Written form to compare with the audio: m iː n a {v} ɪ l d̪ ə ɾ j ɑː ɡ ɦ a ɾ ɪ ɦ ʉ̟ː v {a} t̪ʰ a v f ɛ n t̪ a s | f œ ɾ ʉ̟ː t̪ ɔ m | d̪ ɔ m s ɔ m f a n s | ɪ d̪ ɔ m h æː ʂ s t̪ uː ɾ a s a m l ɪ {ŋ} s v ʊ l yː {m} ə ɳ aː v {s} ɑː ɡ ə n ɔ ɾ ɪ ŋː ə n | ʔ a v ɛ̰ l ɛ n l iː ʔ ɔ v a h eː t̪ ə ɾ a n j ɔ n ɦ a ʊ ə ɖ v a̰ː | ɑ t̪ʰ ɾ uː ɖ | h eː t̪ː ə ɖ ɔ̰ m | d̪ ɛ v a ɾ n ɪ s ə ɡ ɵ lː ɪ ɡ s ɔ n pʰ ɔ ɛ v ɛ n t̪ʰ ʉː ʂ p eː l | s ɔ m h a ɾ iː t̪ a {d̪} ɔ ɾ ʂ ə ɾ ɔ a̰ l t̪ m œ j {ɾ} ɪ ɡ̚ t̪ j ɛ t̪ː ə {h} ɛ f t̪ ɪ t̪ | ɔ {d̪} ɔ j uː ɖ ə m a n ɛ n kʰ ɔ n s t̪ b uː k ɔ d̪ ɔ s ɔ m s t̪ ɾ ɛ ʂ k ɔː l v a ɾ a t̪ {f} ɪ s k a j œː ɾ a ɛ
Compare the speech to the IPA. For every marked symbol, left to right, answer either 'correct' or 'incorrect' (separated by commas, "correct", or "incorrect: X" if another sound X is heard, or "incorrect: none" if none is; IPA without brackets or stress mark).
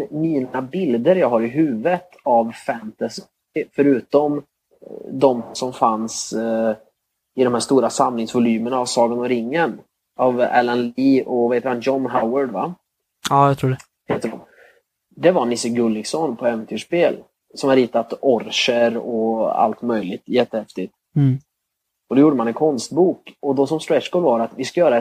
incorrect: b, incorrect: ə, correct, correct, correct, incorrect: t̪, incorrect: l, correct, correct, incorrect: v